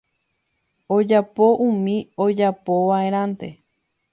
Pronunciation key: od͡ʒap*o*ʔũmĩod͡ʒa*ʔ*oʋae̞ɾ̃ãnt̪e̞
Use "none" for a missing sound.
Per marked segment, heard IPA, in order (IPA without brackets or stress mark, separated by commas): o, p